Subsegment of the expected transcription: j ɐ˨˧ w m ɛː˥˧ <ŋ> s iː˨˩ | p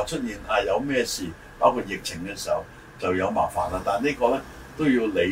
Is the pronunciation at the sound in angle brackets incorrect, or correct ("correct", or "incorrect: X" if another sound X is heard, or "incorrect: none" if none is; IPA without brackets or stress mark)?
incorrect: none